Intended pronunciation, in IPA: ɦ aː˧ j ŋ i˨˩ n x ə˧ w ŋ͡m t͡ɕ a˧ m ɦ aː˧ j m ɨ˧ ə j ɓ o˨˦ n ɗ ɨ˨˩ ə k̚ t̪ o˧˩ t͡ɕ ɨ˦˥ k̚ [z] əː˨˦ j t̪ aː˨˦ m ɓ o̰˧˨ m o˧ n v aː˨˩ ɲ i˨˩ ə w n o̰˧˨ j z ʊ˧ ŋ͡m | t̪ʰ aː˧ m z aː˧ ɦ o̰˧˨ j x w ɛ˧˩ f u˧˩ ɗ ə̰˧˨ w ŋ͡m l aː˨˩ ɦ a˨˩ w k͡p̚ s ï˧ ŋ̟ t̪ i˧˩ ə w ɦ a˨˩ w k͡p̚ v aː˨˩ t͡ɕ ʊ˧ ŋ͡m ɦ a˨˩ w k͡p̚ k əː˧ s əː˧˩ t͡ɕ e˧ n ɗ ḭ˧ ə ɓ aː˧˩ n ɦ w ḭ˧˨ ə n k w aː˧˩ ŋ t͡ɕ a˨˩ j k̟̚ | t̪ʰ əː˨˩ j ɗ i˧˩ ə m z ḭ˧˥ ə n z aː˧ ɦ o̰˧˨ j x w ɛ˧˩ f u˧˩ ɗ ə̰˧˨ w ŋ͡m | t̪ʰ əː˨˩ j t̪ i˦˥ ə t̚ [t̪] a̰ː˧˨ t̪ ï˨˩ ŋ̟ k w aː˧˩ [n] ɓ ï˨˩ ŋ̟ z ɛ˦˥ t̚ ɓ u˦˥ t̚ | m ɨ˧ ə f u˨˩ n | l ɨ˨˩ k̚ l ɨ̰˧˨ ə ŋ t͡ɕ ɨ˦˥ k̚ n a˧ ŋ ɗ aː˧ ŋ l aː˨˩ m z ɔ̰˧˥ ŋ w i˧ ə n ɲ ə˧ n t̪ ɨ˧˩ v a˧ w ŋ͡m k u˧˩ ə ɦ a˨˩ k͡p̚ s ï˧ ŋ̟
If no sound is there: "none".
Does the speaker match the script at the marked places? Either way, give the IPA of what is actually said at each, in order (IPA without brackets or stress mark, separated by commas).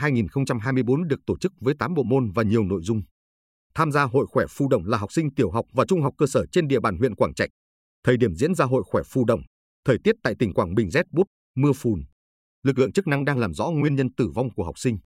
v, t̪, ŋ